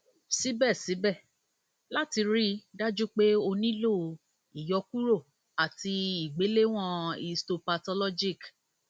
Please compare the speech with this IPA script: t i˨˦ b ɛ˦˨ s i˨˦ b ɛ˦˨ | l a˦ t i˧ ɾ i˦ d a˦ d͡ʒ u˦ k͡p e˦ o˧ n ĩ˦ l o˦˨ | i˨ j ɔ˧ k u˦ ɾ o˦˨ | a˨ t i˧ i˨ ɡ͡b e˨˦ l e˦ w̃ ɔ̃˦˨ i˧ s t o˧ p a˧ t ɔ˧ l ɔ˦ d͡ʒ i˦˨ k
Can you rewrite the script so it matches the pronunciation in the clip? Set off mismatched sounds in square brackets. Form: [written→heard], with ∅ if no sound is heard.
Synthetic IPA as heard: [t→s] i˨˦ b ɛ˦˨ s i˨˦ b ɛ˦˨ | l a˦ t i˧ ɾ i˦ d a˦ d͡ʒ u˦ k͡p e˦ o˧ n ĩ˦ l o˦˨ | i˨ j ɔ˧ k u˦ ɾ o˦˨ | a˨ t i˧ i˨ ɡ͡b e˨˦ l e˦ w̃ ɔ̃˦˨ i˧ s t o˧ p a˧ t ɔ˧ l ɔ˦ d͡ʒ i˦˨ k